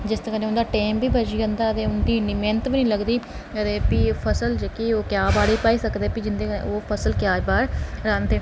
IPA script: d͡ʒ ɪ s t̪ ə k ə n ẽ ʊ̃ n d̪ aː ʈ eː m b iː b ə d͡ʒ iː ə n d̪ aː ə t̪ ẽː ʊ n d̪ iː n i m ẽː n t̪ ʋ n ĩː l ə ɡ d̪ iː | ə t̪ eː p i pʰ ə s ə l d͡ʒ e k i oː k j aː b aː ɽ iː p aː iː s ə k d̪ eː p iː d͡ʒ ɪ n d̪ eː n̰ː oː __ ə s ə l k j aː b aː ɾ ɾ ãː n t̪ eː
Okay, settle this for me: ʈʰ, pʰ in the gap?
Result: pʰ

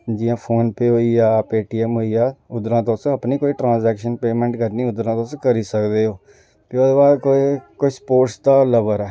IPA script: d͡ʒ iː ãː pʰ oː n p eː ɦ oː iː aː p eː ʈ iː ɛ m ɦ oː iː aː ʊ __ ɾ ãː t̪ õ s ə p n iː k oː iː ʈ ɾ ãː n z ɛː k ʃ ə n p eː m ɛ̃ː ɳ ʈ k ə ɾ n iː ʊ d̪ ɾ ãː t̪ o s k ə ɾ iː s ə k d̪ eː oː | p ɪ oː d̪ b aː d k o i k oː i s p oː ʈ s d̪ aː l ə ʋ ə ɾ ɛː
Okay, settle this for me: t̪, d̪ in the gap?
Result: d̪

